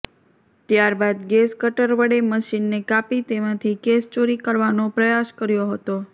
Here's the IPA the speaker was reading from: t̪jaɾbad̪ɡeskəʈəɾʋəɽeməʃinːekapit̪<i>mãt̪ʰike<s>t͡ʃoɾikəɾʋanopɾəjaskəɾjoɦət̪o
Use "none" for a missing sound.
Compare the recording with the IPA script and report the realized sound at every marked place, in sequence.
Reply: e, s

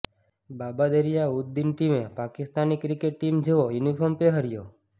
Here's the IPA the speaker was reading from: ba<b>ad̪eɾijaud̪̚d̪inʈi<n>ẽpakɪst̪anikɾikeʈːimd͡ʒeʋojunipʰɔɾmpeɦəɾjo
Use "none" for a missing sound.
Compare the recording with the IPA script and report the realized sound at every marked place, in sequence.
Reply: b, m

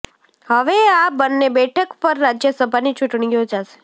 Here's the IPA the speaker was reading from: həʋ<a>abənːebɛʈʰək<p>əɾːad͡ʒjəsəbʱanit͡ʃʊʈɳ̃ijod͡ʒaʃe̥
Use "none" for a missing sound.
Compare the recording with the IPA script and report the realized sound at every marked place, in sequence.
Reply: e, p

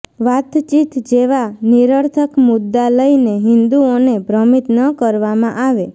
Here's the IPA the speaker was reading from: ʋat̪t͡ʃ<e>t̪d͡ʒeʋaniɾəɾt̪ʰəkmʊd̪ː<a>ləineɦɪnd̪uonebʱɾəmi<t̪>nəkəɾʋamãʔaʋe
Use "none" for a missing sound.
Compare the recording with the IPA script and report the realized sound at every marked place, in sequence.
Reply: i, a, t̪

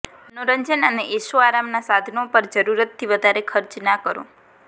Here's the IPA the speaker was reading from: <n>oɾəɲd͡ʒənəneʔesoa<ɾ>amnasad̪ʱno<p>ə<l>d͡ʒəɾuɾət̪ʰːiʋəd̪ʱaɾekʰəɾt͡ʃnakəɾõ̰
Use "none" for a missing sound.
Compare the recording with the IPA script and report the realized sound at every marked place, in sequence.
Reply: n, ɾ, p, ɾ

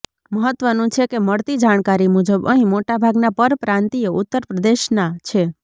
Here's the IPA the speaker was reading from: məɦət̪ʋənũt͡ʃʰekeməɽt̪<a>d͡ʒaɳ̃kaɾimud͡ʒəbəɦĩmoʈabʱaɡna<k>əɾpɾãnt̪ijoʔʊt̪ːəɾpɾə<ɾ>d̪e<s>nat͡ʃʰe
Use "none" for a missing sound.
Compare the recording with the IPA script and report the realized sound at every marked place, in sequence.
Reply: i, p, none, ʃ

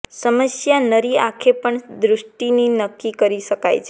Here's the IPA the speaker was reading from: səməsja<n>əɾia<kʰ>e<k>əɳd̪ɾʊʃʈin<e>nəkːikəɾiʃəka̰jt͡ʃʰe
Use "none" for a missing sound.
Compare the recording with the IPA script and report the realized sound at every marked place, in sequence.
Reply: n, kʰ, p, i

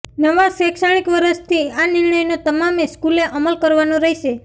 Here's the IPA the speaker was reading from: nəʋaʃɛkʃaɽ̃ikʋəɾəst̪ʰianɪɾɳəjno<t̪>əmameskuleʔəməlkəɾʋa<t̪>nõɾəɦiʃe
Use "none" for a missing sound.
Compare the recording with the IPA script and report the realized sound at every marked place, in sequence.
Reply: t̪, none

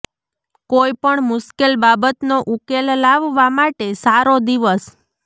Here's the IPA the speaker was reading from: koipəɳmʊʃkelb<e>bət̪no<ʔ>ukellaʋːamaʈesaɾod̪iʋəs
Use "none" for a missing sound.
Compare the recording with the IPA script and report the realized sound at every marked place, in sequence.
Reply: a, ʔ

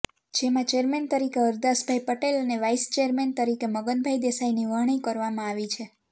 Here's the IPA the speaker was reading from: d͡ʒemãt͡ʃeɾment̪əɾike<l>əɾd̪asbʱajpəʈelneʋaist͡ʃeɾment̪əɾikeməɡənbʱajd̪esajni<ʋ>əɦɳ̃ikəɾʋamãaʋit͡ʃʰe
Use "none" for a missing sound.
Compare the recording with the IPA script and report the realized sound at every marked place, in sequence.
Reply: none, ʋ

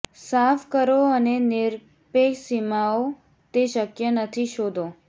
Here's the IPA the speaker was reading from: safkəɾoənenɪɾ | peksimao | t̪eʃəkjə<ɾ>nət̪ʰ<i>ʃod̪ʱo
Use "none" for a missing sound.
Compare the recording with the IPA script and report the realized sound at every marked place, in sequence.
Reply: none, i

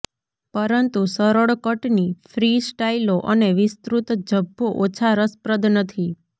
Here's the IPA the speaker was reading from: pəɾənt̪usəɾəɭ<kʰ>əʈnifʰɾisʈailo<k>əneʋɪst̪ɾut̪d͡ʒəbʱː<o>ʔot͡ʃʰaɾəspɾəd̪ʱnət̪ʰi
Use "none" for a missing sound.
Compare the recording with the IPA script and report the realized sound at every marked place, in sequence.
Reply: k, ʔ, o

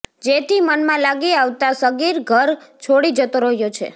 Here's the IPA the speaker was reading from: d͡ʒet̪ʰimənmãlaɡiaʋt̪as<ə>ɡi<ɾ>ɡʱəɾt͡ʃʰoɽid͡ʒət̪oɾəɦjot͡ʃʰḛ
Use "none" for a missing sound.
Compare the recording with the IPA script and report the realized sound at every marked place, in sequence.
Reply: ə, ɾ

